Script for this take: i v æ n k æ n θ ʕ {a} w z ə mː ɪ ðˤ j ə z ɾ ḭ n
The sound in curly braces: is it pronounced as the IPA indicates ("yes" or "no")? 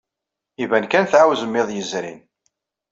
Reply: yes